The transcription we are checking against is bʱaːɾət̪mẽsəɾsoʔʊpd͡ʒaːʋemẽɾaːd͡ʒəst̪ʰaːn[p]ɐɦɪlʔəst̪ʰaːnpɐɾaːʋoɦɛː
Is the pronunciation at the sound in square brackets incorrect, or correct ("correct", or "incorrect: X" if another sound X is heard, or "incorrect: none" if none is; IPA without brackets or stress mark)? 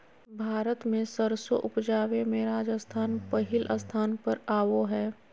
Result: correct